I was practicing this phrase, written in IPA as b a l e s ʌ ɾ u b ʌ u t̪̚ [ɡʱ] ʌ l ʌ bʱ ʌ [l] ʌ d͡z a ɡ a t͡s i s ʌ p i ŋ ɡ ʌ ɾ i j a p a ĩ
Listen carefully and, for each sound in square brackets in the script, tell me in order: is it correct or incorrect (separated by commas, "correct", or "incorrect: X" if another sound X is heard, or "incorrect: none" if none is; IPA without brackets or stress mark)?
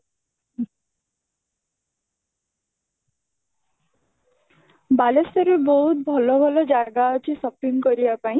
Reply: incorrect: bʱ, correct